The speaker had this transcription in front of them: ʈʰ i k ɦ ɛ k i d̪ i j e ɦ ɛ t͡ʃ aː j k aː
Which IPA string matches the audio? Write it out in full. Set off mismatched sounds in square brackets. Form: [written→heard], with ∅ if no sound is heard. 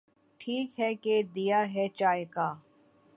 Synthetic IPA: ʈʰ [i→iː] k ɦ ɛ k [i→e] d̪ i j [e→a] ɦ ɛ t͡ʃ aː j k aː